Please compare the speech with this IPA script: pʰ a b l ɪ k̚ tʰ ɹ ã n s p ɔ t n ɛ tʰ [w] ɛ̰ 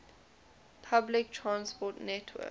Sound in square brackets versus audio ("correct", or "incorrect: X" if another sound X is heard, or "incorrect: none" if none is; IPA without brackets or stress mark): correct